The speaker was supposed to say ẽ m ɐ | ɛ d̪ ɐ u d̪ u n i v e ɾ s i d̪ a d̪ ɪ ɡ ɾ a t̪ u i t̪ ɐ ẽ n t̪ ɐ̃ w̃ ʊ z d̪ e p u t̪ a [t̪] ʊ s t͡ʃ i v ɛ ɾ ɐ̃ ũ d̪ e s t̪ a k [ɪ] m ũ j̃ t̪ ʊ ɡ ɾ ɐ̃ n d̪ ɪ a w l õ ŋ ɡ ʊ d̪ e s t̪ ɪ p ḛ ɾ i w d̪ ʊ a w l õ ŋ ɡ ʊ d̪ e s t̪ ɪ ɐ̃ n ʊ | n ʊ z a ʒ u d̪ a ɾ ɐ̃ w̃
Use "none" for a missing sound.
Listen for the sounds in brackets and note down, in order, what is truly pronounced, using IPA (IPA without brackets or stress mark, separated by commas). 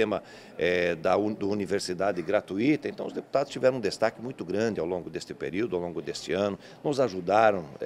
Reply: d̪, ɪ